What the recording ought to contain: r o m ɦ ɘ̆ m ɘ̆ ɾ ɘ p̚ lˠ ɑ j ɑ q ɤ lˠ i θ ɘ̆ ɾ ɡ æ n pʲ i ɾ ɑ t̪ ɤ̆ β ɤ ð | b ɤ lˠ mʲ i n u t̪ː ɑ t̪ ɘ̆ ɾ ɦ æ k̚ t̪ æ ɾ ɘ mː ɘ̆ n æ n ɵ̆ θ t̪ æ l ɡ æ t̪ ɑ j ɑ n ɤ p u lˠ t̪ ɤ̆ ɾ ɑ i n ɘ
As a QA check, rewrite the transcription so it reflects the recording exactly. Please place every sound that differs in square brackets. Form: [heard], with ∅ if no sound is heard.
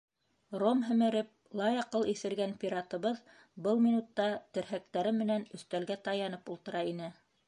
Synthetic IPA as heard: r o m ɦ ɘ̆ m ɘ̆ ɾ ɘ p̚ lˠ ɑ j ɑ q ɤ lˠ i θ ɘ̆ ɾ ɡ æ n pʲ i ɾ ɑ t̪ ɤ̆ β ɤ ð | b ɤ lˠ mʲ i n u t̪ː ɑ t̪ ɘ̆ ɾ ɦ æ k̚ t̪ æ ɾ ɘ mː ɘ̆ n æ n ɵ̆ θ t̪ æ l ɡ æ t̪ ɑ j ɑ n ɤ p u lˠ t̪ ɤ̆ ɾ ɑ i n ɘ